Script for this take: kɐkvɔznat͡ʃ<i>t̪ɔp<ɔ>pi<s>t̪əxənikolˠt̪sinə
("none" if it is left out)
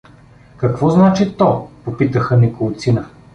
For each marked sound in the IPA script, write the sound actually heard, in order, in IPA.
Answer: i, o, none

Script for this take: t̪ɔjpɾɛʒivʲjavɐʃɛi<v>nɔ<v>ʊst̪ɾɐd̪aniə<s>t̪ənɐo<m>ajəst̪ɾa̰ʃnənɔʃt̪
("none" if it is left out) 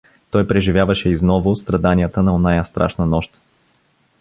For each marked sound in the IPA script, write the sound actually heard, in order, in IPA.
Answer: z, v, none, n

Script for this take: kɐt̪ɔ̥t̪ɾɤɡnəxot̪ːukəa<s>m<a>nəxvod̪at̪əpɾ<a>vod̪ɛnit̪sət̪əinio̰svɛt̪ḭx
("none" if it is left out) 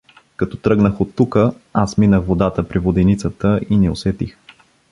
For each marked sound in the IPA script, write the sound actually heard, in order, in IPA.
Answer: s, i, i

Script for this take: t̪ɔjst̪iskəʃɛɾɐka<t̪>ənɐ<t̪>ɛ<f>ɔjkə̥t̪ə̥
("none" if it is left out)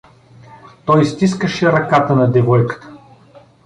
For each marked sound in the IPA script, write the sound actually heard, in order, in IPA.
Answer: t̪, d̪, v

